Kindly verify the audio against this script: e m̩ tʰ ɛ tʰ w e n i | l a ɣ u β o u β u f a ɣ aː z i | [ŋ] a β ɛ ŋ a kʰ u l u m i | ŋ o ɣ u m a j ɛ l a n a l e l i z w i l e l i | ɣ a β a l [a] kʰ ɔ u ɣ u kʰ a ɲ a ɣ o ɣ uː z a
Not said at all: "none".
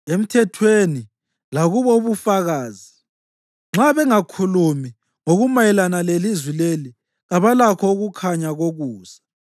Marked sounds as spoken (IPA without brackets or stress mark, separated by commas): ŋ͡ǁ, a